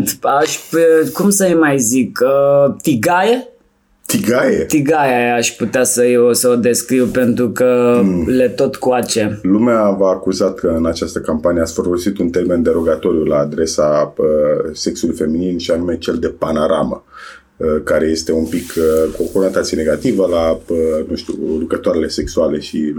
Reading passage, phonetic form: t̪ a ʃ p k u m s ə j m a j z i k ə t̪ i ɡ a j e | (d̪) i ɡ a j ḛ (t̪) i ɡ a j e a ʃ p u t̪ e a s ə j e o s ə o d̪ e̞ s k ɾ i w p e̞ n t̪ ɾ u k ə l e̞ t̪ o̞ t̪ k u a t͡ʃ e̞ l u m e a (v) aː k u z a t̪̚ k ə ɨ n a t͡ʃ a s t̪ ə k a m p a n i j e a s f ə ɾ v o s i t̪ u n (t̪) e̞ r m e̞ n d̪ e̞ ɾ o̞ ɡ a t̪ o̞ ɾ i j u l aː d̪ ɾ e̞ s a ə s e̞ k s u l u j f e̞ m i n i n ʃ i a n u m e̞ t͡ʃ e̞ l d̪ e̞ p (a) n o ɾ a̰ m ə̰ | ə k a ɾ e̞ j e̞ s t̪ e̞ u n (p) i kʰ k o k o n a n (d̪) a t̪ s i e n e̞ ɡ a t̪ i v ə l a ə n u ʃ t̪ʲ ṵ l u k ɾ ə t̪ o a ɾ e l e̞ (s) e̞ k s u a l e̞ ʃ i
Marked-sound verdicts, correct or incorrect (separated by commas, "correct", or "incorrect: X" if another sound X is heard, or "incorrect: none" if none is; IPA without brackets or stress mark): incorrect: t̪, correct, correct, correct, correct, correct, incorrect: t̪, correct